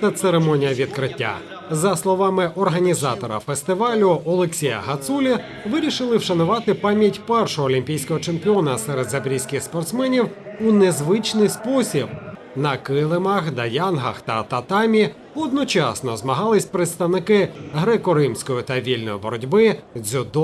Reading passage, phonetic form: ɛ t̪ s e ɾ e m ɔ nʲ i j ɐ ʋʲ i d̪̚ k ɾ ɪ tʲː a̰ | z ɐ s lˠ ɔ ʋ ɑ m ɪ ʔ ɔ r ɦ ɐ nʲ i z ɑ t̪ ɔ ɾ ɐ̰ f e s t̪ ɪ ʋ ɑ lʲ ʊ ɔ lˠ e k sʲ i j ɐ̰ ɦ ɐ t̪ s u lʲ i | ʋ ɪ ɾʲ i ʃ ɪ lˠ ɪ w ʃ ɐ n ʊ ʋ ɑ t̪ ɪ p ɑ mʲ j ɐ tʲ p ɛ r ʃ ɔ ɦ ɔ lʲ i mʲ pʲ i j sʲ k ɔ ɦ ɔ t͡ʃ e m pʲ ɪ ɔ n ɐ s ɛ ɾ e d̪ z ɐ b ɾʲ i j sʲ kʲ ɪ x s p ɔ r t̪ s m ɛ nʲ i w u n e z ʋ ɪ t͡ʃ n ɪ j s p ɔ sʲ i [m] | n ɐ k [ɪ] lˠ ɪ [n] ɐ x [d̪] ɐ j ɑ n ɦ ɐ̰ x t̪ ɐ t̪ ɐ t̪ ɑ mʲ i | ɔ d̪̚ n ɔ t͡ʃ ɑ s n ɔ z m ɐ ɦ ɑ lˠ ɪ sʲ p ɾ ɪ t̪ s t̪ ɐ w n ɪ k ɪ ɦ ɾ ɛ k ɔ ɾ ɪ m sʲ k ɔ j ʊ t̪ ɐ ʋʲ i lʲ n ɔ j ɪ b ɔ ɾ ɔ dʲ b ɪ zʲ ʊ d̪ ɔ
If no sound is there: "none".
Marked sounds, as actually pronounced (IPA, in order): b, ɪ, m, d̪

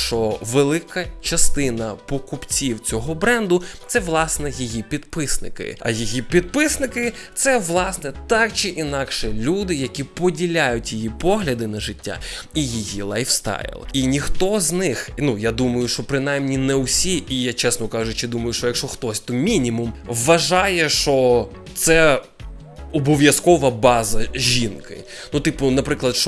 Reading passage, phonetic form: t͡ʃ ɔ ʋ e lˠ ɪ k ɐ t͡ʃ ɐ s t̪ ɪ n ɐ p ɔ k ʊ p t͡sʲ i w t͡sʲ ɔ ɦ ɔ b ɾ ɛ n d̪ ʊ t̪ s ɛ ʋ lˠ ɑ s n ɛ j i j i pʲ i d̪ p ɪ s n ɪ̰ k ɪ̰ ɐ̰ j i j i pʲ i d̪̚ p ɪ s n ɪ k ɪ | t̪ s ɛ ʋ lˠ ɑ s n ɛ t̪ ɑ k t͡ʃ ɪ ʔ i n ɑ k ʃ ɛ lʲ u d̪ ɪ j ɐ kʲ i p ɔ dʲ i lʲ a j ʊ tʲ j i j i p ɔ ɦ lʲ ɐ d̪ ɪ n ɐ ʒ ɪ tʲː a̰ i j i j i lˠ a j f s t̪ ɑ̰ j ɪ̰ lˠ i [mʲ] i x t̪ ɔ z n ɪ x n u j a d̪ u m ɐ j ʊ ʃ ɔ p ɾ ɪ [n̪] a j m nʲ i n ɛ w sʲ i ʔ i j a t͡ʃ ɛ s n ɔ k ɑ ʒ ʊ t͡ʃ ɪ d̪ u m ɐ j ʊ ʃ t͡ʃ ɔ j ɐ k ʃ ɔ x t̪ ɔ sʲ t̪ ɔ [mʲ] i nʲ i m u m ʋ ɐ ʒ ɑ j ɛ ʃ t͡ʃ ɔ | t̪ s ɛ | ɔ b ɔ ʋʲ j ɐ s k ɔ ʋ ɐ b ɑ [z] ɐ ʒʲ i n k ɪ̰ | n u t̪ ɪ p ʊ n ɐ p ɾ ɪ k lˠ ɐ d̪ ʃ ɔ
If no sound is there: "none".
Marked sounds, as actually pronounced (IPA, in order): nʲ, n̪, mʲ, z

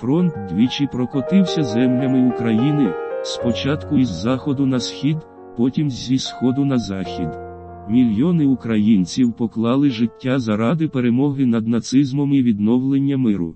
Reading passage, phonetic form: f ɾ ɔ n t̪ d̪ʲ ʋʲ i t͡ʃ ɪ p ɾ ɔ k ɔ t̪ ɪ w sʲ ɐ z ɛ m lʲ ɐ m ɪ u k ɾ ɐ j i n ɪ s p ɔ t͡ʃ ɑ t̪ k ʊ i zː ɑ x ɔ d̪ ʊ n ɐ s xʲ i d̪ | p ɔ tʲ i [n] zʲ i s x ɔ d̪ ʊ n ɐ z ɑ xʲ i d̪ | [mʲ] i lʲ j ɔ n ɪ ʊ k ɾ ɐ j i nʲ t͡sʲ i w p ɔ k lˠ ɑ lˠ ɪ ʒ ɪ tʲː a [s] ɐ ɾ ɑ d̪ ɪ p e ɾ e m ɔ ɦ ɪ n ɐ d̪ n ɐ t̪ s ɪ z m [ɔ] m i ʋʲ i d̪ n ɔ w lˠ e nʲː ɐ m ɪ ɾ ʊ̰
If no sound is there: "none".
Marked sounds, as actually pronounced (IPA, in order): m, mʲ, z, ɔ

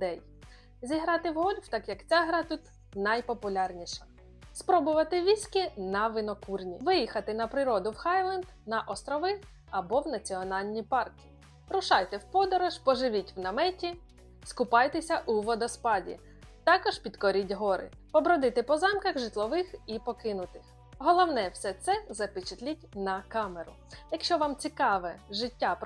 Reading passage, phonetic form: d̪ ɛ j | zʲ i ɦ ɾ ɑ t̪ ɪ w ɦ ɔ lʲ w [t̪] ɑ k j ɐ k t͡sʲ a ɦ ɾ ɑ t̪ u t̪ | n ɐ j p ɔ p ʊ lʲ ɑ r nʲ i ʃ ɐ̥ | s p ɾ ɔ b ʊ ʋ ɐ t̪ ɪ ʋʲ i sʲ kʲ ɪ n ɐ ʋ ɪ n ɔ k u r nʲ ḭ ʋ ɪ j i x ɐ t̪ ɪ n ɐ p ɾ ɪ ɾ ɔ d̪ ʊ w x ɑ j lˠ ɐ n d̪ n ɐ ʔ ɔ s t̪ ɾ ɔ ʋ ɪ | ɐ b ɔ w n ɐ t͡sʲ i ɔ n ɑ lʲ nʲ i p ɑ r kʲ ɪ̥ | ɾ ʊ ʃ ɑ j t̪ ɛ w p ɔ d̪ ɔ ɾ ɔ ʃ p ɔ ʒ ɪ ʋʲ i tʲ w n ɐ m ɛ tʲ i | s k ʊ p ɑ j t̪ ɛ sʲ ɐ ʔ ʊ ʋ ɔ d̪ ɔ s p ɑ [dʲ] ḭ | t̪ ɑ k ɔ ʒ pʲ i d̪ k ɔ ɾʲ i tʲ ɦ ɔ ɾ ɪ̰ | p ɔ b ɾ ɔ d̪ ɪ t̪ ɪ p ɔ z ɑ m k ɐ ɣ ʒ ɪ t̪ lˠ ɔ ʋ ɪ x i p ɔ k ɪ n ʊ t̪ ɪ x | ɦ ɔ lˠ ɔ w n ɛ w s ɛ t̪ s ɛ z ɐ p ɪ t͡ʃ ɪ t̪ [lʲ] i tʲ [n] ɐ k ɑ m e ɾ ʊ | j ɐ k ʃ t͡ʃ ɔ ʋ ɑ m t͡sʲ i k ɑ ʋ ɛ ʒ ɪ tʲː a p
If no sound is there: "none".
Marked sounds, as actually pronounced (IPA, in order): t̪, dʲ, lʲ, n

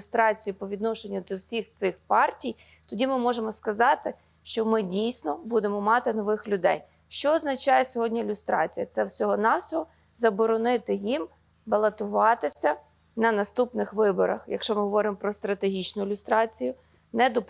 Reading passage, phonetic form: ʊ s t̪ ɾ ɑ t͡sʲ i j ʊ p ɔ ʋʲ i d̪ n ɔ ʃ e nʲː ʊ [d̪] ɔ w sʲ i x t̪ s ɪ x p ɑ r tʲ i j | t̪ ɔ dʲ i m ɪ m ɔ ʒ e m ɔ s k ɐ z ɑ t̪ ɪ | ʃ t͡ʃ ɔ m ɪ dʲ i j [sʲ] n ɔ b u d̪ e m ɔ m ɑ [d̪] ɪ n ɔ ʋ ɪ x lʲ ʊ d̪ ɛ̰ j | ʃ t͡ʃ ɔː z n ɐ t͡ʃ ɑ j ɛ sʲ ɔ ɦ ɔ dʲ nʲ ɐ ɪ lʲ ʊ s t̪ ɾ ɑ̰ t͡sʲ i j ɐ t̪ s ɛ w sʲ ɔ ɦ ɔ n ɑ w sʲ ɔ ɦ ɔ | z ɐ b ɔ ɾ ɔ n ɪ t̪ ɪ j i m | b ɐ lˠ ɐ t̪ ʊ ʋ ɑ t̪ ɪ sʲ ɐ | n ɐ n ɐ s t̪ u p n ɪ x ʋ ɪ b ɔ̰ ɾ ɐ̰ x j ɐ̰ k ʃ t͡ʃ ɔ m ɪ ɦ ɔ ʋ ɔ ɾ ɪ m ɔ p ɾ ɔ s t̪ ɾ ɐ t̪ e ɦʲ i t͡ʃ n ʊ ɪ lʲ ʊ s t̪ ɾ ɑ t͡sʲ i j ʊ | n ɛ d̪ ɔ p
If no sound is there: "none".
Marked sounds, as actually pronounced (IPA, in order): d̪, sʲ, t̪

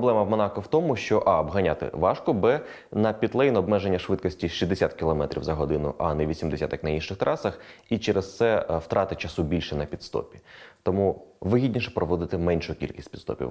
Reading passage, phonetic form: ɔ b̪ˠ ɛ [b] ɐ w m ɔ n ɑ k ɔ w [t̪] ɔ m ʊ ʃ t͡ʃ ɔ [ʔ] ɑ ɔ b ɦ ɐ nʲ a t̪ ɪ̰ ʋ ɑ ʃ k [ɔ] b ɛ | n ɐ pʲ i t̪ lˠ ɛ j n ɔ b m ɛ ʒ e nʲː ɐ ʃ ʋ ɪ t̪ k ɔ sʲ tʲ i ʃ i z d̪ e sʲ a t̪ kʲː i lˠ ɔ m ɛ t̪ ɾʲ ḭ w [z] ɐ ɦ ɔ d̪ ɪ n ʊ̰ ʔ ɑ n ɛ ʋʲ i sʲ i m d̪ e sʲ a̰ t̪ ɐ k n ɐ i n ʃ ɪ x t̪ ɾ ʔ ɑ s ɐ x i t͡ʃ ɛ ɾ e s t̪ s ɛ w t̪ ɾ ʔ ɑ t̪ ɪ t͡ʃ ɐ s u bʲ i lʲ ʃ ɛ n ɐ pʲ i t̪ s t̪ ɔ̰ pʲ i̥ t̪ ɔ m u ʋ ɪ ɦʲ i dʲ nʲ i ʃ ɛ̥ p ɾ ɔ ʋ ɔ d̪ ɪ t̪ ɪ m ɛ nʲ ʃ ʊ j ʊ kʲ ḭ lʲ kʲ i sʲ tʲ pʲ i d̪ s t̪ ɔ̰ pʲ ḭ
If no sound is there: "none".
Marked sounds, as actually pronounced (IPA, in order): m, t̪, ʔ, ɔ, z

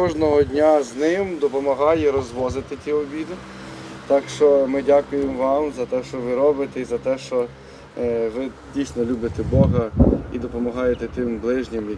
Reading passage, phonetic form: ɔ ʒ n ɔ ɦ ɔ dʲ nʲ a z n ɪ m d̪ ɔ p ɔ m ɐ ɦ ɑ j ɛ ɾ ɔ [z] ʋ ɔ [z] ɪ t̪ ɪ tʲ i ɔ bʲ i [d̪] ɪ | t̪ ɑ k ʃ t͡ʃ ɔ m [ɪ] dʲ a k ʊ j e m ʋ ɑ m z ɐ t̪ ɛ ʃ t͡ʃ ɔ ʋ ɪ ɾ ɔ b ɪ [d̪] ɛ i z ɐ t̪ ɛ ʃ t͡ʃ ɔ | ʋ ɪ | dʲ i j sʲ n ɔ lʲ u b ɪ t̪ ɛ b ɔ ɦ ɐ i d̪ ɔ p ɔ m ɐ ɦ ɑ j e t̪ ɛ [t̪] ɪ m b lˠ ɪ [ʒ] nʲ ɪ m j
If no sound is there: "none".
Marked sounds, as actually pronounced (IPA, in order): z, z, d̪, ɪ, t̪, t̪, ʒ

